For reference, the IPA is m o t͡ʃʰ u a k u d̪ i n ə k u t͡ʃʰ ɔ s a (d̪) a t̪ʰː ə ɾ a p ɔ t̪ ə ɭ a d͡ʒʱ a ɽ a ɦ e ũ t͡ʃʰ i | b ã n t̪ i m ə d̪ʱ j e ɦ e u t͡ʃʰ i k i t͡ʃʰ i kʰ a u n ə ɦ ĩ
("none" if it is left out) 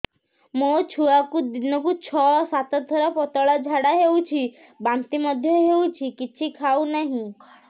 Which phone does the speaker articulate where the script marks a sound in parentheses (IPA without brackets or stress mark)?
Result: t̪